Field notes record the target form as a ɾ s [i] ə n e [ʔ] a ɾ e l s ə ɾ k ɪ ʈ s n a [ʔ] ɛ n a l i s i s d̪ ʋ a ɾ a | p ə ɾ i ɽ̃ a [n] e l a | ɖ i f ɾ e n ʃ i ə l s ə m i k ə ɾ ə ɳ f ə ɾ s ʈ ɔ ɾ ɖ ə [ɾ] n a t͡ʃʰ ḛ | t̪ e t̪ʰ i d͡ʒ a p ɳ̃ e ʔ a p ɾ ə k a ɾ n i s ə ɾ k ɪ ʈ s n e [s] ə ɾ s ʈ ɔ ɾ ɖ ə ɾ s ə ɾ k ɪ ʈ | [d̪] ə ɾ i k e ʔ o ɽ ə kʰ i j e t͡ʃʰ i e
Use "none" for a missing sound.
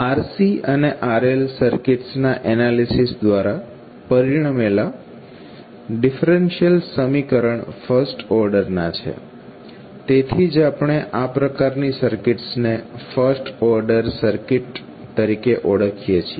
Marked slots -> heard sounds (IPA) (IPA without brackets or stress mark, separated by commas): i, ʔ, ʔ, m, ɾ, f, t̪